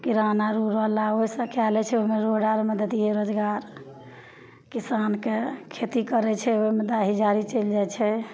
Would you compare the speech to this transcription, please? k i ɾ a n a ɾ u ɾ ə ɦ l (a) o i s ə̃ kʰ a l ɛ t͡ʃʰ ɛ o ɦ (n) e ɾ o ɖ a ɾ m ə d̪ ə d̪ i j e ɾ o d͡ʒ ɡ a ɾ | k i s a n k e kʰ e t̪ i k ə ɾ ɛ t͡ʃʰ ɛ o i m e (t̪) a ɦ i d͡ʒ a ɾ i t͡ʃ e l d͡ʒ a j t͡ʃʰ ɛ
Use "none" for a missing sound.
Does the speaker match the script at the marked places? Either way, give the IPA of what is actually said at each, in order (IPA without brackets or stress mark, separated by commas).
a, m, d̪